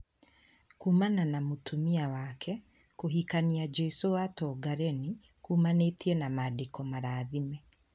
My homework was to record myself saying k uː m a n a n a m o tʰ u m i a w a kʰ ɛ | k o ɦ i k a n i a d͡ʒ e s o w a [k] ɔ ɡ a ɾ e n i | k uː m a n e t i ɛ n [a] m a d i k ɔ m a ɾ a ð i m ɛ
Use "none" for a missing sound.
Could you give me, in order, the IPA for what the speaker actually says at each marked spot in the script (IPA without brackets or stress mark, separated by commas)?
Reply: t, a